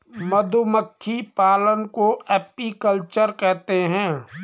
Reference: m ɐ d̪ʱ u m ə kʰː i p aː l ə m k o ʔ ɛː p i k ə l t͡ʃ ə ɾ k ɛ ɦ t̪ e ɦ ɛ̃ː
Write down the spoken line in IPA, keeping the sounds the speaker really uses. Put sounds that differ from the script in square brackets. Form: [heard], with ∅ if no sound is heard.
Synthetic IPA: m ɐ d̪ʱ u m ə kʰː i p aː l ə [n] k o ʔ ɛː p i k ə l t͡ʃ ə ɾ k ɛ ɦ t̪ e ɦ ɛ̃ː

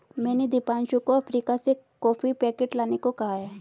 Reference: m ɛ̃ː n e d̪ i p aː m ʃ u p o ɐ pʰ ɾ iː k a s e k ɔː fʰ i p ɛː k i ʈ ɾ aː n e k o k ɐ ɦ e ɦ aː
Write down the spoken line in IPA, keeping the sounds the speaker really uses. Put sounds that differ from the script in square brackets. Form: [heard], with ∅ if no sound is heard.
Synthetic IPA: m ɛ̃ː n e d̪ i p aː [n] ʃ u [k] o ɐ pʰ ɾ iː k a s e k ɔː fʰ i p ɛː k [e] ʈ [l] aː n e k o k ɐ ɦ [a] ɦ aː

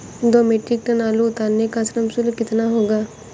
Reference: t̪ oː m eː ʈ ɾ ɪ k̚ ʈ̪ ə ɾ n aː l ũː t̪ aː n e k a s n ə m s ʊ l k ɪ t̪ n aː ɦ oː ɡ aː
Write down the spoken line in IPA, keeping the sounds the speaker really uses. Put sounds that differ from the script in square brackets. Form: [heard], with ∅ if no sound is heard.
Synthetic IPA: [d̪] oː m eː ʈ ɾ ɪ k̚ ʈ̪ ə [∅] n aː l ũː t̪ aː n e k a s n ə m s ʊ l k ɪ t̪ n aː ɦ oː ɡ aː

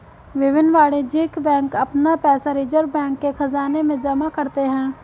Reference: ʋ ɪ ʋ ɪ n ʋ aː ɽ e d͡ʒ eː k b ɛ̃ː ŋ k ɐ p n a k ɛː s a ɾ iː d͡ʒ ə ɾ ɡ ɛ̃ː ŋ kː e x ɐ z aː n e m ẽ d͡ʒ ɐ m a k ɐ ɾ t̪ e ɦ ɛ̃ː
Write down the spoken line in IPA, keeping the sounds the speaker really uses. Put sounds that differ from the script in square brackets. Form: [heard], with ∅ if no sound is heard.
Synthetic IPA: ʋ ɪ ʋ ɪ n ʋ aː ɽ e d͡ʒ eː k b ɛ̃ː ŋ k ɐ p n a [p] ɛː s a ɾ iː d͡ʒ ə ɾ [b] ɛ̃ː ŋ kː e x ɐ z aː n e m ẽ d͡ʒ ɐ m a k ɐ ɾ t̪ e ɦ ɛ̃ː

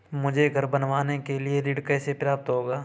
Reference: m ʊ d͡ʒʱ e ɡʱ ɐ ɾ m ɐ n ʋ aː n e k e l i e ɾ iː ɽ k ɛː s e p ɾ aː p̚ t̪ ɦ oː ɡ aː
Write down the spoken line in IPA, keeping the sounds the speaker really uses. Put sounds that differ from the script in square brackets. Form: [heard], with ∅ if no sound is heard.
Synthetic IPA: m ʊ d͡ʒʱ e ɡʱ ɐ ɾ [b] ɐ n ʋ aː n e k e l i e ɾ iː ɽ k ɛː s e p ɾ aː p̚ t̪ ɦ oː ɡ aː

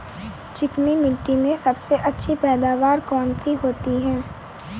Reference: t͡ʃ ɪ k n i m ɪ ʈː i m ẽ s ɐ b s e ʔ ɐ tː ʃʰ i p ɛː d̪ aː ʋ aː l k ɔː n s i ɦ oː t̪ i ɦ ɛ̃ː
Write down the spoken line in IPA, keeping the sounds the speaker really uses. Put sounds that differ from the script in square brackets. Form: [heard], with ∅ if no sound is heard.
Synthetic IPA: t͡ʃ ɪ k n i m ɪ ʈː i m ẽ s ɐ b s e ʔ ɐ tː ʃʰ i p ɛː d̪ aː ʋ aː [ɾ] k ɔː n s i ɦ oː t̪ i ɦ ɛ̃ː

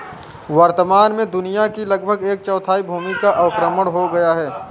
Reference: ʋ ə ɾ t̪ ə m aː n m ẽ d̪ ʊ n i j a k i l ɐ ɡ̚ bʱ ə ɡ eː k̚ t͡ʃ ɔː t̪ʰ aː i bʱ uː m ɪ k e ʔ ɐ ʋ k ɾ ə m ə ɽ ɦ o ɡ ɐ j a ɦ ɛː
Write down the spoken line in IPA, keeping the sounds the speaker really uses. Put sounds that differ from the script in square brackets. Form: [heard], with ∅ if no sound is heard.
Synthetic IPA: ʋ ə ɾ t̪ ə m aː n m ẽ d̪ ʊ n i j a k i l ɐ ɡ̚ bʱ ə ɡ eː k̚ t͡ʃ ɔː t̪ʰ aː i bʱ uː m [i] k [a] ʔ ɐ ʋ k ɾ ə m ə ɽ ɦ o ɡ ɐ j a ɦ ɛː

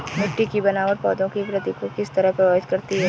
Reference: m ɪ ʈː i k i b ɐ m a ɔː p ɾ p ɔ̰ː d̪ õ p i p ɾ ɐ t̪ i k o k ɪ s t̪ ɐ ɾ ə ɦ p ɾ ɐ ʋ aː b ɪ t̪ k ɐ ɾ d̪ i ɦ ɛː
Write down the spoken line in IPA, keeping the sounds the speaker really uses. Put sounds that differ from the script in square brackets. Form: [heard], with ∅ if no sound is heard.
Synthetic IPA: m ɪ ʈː i k i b ɐ [n] a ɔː [∅] ɾ p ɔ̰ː d̪ õ [k] i p ɾ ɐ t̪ i k o k ɪ s t̪ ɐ ɾ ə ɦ p ɾ ɐ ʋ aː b ɪ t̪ k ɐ ɾ [t̪] i ɦ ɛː

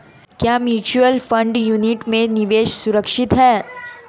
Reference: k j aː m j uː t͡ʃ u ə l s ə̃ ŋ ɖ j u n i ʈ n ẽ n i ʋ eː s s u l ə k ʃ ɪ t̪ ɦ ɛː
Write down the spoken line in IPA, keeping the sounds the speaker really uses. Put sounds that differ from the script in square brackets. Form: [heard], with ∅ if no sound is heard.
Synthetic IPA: k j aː m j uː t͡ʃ u ə l [f] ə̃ [ɳ] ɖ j u n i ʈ [m] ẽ n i ʋ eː [ʃ] s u [ɾ] ə k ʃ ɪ t̪ ɦ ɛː

